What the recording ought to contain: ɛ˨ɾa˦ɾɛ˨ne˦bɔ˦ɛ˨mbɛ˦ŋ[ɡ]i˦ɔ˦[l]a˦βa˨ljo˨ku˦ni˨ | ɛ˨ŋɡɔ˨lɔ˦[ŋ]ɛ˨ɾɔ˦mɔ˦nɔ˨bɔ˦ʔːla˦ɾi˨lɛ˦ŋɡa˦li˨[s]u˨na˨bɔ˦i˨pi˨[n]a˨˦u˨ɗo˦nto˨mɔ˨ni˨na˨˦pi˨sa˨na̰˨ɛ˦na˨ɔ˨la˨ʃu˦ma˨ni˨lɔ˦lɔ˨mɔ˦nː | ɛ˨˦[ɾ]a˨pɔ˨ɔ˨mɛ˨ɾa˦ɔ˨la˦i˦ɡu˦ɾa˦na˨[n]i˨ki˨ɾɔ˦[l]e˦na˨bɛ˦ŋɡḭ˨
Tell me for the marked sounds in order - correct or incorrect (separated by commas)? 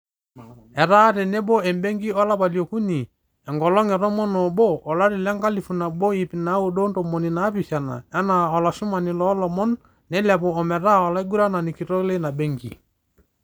correct, correct, correct, incorrect, correct, incorrect, correct, correct